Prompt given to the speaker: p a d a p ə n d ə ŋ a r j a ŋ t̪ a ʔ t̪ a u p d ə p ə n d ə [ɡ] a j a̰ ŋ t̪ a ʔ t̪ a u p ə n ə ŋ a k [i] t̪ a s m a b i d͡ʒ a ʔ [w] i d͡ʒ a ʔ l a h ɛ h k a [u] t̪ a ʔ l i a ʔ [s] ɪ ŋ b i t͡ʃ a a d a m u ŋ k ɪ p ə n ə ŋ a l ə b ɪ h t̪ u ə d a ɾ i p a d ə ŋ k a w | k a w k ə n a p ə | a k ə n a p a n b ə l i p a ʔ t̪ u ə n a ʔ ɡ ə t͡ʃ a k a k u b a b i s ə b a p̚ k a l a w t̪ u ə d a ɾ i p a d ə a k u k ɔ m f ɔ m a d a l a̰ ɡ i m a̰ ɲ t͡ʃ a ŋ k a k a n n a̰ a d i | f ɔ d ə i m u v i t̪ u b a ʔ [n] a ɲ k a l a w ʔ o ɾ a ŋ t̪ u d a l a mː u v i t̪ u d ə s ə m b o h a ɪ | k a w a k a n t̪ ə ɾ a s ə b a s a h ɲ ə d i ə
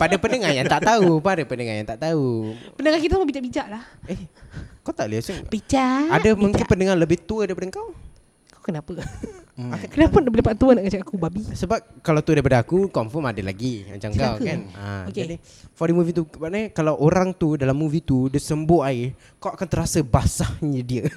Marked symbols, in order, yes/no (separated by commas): no, yes, no, no, yes, yes